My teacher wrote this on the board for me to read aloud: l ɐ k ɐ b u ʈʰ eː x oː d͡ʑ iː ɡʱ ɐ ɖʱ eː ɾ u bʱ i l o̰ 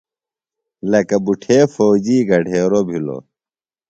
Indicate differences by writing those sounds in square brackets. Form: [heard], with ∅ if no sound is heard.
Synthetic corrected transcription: l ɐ k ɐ b u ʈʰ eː [f] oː d͡ʑ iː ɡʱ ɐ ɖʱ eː ɾ [o] bʱ i l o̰